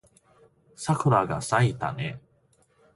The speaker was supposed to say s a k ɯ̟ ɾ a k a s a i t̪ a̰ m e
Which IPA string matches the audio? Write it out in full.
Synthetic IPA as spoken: s a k ɯ̟ ɾ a ɡ a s a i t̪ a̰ n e